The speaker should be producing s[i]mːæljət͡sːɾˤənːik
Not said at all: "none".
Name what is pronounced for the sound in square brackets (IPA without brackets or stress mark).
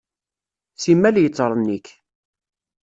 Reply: i